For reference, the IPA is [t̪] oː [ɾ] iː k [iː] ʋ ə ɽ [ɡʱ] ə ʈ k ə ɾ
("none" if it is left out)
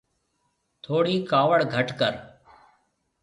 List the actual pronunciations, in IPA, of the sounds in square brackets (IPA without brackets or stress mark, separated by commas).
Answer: t̪ʰ, ɽ, aː, ɡʱ